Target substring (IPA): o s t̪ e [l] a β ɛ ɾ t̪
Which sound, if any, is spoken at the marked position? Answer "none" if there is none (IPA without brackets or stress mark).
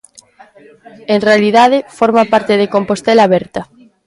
l